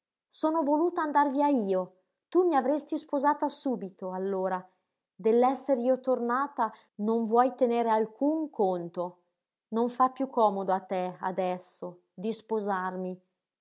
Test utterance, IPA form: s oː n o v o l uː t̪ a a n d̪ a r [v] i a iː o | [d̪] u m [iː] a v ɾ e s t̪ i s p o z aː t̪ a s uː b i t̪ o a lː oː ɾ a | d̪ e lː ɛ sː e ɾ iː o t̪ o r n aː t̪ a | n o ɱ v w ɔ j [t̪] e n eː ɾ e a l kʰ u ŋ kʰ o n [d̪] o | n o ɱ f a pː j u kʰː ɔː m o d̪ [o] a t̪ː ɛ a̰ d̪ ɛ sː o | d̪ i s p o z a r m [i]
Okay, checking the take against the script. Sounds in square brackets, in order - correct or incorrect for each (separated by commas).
correct, incorrect, incorrect, correct, incorrect, correct, correct